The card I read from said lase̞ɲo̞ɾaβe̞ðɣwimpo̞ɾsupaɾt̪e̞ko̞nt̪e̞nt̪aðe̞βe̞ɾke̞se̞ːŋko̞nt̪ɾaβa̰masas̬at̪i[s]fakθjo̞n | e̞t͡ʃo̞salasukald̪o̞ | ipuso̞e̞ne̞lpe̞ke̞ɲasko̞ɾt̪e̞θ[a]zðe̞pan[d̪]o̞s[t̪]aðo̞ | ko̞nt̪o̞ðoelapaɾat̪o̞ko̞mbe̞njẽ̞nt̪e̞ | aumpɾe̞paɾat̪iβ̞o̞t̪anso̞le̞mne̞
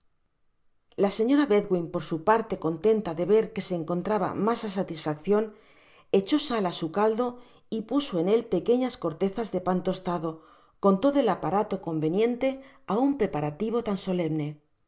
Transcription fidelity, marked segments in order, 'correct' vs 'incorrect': correct, correct, incorrect: t̪, correct

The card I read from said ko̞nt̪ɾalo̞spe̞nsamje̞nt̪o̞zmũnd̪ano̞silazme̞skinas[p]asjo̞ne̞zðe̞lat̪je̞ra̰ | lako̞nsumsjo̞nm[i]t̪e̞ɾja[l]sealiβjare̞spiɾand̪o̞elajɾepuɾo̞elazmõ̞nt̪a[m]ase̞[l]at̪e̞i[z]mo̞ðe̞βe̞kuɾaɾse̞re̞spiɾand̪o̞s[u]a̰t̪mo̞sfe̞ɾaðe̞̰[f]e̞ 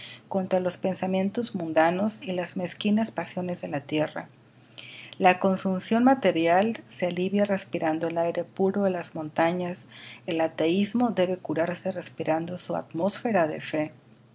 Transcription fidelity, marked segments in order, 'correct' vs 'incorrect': correct, incorrect: a, correct, incorrect: ɲ, correct, correct, correct, correct

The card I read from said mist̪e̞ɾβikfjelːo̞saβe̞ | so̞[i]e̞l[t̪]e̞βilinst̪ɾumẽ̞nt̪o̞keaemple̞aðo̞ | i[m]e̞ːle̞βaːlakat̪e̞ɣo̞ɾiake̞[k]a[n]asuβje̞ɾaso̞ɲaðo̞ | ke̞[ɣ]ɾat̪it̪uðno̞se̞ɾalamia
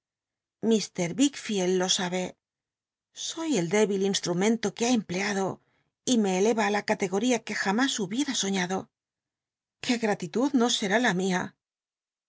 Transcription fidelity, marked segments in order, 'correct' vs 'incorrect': incorrect: j, incorrect: d̪, correct, incorrect: x, incorrect: m, correct

